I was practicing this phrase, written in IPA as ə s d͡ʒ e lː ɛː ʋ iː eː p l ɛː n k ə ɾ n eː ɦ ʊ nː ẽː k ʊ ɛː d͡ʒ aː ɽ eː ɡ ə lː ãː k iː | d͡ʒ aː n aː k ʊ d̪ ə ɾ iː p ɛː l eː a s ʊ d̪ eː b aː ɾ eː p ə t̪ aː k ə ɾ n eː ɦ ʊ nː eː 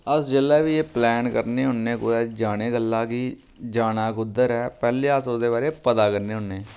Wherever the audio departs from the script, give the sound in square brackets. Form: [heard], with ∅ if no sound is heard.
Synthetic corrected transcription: ə s d͡ʒ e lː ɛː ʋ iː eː p l ɛː n k ə ɾ n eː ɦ ʊ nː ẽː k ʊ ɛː d͡ʒ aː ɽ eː ɡ ə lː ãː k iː | d͡ʒ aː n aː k ʊ d̪ ə ɾ [ɛː] p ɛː l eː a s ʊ d̪ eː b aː ɾ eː p ə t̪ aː k ə ɾ n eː ɦ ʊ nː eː

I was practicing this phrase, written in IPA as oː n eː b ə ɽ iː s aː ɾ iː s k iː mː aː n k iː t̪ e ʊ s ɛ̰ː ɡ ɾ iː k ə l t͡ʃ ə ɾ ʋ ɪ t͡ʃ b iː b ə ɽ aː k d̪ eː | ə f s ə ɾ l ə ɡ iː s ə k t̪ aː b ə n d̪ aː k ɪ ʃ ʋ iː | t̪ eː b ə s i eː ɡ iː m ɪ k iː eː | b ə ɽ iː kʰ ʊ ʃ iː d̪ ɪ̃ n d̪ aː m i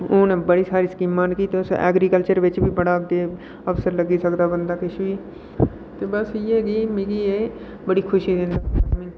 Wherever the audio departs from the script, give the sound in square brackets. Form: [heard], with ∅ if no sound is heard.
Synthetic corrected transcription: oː n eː b ə ɽ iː s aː ɾ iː s k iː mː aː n k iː t̪ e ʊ s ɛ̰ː ɡ ɾ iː k ə l t͡ʃ ə ɾ ʋ ɪ t͡ʃ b iː b ə ɽ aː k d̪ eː | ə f s ə ɾ l ə ɡ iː s ə k [d̪] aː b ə n d̪ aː k ɪ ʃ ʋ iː | t̪ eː b ə s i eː ɡ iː m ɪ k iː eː | b ə ɽ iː kʰ ʊ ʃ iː d̪ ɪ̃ n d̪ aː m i

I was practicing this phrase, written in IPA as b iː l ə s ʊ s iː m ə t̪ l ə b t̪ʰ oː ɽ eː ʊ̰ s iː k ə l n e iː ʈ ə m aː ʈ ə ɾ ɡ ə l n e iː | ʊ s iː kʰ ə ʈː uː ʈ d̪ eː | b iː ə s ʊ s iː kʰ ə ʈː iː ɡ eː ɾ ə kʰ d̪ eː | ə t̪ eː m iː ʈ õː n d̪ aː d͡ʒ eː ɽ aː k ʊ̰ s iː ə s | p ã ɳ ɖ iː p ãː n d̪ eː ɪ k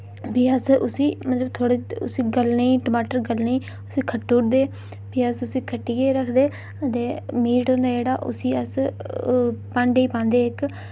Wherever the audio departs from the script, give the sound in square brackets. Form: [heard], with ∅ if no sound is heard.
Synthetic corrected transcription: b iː [∅] ə s ʊ s iː m ə t̪ l ə b t̪ʰ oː ɽ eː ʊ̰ s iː [ɡ] ə l n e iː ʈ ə m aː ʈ ə ɾ ɡ ə l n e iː | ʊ s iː kʰ ə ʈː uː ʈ d̪ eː | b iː ə s ʊ s iː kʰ ə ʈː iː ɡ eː ɾ ə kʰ d̪ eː | ə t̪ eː m iː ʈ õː n d̪ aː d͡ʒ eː ɽ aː [ʔ] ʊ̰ s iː ə s | p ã ɳ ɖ iː p ãː n d̪ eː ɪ k

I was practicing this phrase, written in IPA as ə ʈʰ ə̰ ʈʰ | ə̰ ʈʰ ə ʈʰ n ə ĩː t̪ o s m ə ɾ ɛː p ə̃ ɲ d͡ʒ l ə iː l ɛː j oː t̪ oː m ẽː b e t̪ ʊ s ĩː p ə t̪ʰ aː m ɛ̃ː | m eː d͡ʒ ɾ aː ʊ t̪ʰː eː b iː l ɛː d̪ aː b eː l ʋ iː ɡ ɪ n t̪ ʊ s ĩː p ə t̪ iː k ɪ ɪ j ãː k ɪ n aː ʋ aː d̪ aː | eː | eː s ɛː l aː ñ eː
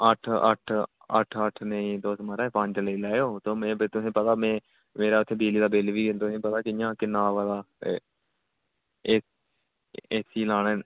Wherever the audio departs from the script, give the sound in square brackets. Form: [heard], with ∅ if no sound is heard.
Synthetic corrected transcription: ə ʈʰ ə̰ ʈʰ | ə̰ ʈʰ ə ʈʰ n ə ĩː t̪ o s m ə ɾ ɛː p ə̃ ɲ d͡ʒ l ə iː l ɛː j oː t̪ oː m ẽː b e t̪ ʊ s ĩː p ə [t̪] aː m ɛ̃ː | m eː [∅] ɾ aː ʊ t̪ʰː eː b iː l [iː] d̪ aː b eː l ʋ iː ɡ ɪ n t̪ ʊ s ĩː p ə t̪ [aː] k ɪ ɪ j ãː k ɪ n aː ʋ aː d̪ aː | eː | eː s [iː] l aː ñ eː

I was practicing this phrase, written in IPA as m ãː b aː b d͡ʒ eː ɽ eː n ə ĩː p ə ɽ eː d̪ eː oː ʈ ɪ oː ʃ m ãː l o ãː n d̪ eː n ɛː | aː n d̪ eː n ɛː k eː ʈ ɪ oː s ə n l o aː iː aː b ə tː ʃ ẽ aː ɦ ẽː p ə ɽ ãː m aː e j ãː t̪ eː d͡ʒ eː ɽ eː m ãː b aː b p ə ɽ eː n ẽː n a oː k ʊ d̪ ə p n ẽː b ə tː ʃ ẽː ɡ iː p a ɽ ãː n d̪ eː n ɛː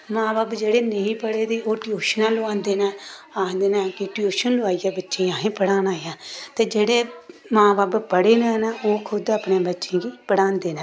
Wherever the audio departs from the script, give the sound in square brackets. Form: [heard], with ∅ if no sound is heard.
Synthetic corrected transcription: m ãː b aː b d͡ʒ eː ɽ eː n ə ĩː p ə ɽ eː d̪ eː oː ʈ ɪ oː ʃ [n] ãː l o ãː n d̪ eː n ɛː | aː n d̪ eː n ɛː k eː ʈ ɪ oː [ʃ] ə n l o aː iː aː b ə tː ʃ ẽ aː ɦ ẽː p ə ɽ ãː [n] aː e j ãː t̪ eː d͡ʒ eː ɽ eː m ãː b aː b p ə ɽ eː n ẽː n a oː [kʰ] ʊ d̪ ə p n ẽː b ə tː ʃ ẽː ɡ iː p [ə] ɽ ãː n d̪ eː n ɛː

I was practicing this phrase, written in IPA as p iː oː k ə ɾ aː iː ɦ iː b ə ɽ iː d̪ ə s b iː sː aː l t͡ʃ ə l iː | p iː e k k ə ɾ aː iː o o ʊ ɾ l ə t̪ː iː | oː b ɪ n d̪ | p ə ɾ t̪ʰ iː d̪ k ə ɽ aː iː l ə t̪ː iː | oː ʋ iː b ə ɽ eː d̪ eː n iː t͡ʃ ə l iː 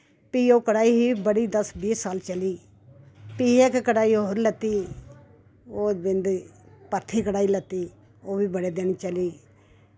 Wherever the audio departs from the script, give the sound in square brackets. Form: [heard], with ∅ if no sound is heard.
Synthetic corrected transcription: p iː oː k ə [ɽ] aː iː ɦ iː b ə ɽ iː d̪ ə s b iː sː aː l t͡ʃ ə l iː | p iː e k k ə [ɽ] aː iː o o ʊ ɾ l ə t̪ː iː | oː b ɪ n d̪ | p ə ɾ t̪ʰ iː [∅] k ə ɽ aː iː l ə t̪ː iː | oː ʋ iː b ə ɽ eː d̪ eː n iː t͡ʃ ə l iː

